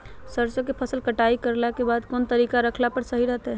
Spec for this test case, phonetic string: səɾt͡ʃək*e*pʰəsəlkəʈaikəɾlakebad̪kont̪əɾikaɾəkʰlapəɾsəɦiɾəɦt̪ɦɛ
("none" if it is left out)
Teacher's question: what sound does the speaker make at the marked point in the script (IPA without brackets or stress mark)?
e